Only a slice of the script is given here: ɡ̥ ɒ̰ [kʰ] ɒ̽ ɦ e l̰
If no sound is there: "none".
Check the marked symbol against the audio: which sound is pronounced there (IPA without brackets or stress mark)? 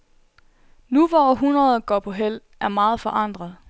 pʰ